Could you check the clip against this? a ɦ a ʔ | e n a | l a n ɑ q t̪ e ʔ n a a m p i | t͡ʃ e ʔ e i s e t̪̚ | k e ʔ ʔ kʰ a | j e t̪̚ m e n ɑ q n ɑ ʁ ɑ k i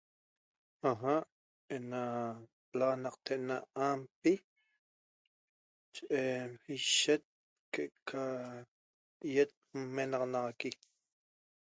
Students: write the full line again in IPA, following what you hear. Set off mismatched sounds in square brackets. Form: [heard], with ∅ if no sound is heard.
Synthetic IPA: a ɦ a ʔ | e n a | l a n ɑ q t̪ e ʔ n a a m p i | t͡ʃ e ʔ e i [ʃ] e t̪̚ | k e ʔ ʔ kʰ a | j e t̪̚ m e n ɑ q n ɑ ʁ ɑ k i